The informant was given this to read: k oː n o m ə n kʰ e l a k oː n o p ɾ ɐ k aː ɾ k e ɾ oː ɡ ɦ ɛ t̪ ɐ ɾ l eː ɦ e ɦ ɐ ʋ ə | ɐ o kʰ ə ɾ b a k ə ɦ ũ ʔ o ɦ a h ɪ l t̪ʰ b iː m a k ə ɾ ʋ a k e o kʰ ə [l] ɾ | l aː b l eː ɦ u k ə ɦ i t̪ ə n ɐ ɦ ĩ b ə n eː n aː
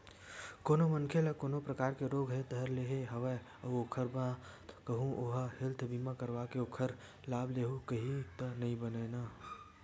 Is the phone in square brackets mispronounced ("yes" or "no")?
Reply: yes